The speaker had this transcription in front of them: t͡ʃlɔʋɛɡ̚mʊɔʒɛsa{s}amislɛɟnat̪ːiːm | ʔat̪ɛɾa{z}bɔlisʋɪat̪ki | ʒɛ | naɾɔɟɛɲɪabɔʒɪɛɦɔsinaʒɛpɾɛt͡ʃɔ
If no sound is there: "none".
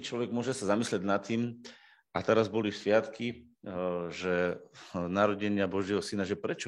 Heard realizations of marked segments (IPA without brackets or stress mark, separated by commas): z, z